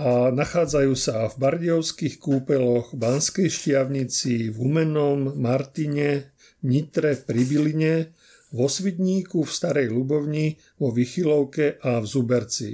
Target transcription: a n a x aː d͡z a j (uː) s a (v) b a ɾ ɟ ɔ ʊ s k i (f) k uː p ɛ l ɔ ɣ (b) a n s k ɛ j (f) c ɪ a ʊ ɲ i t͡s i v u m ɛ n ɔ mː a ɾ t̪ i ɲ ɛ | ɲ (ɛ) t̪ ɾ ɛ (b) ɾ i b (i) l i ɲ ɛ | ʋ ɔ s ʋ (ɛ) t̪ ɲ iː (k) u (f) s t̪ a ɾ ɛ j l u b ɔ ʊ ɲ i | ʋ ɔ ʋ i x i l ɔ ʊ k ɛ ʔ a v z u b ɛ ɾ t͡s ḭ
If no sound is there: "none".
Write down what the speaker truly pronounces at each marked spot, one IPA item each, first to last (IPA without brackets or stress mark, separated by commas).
uː, v, x, b, ʃ, i, p, i, i, k, f